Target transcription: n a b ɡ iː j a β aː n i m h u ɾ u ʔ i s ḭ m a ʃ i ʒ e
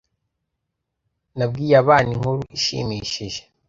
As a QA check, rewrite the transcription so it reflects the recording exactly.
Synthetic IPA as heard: n a b ɡ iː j a β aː n i ŋ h u ɾ u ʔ i ʃ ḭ m i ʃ i ʒ e